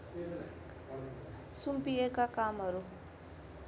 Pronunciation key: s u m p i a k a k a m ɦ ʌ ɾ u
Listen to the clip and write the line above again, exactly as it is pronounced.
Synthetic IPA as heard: s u m p i e k a k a m ɦ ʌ ɾ u

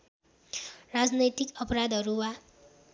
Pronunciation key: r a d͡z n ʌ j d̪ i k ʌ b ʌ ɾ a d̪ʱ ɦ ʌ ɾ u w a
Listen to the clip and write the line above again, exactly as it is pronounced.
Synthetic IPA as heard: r a d͡z n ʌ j t̪ i k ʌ p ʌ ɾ a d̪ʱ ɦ ʌ ɾ u w a

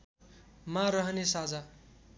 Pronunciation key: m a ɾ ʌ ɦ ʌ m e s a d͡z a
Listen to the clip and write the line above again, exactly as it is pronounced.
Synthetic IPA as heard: m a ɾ ʌ ɦ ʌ n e s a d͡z a

